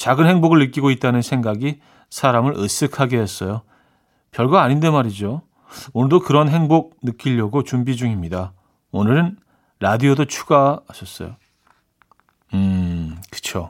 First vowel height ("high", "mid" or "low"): low